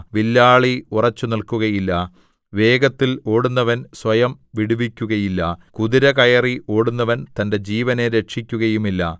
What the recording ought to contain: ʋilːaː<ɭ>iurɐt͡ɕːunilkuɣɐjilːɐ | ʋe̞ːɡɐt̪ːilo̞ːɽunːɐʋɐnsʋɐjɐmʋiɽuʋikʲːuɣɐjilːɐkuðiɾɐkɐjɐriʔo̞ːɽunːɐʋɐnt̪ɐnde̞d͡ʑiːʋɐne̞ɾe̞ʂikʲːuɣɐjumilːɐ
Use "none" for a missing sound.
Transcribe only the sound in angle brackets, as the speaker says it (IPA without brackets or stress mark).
ɭ